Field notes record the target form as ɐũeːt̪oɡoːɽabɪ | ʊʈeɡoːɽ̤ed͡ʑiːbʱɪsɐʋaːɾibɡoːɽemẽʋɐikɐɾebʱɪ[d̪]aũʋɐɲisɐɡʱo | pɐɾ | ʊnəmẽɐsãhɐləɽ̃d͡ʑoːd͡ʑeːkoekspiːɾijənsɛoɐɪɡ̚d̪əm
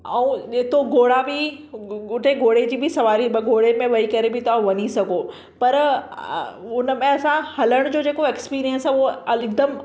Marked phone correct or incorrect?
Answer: incorrect